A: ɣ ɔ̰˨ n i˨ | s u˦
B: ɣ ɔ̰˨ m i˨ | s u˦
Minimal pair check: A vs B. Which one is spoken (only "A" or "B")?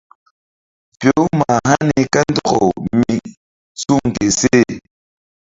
B